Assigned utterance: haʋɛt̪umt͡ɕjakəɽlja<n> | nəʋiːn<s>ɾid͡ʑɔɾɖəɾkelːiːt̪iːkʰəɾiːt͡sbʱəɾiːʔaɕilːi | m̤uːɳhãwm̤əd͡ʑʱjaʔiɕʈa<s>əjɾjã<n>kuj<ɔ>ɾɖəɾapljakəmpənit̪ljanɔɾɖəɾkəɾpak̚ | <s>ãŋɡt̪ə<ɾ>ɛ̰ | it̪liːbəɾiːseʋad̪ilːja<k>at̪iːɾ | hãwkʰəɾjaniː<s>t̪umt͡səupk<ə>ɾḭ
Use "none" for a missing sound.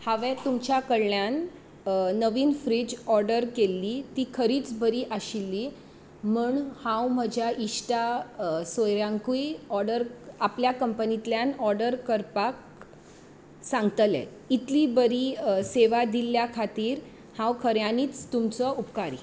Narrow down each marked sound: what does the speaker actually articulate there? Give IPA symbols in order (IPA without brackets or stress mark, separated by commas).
n, f, s, ŋ, ɔ, s, l, kʰ, t͡s, a